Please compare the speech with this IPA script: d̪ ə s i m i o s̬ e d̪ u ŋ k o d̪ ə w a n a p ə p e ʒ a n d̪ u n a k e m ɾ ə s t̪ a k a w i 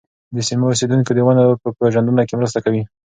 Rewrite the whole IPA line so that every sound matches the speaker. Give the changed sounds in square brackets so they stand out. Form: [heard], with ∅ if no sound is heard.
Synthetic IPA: d̪ ə s i m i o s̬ e d̪ u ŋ k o d̪ ə w a n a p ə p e ʒ a n d̪ u n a k e m ɾ ə s t̪ a k a w i